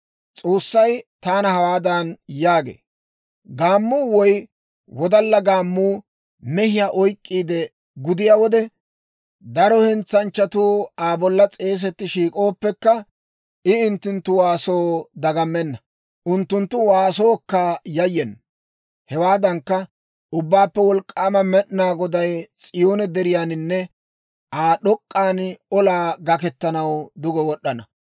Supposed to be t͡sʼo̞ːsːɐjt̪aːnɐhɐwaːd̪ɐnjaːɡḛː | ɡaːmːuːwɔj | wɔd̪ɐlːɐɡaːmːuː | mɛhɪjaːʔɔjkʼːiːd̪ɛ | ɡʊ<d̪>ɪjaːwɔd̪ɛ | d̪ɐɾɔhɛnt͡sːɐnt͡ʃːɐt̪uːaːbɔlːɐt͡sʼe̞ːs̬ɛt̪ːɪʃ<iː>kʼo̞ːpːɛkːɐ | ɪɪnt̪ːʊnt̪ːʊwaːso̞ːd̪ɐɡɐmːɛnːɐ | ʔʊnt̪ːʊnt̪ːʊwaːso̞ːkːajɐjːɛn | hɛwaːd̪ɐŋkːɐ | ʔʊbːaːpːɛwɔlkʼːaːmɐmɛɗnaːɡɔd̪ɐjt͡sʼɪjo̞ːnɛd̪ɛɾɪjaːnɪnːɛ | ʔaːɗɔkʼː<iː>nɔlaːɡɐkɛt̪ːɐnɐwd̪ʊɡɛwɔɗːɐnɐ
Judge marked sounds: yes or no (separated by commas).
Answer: yes, yes, no